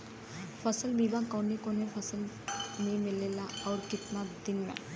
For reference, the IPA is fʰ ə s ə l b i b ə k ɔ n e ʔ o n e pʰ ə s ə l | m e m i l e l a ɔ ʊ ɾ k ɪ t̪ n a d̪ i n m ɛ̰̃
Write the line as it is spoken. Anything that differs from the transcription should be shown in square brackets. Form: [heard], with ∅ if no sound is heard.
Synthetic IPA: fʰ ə s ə l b i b [a] k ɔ n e [k] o n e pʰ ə s ə l | m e m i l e l a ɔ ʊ ɾ k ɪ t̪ n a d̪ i n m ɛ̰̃